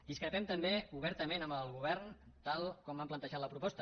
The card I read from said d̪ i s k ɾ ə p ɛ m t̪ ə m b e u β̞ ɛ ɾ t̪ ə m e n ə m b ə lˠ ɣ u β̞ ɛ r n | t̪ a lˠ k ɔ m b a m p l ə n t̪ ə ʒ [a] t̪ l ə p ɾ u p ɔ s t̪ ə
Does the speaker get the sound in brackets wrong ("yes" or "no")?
no